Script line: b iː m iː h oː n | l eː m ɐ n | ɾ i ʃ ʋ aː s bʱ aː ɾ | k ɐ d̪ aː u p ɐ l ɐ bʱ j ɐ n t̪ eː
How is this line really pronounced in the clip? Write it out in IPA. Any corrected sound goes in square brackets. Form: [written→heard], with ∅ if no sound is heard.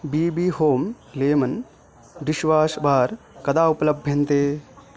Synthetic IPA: b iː [m→b] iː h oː [n→m] | l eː m ɐ n | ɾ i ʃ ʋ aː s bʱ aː ɾ | k ɐ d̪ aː u p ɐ l ɐ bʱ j ɐ n t̪ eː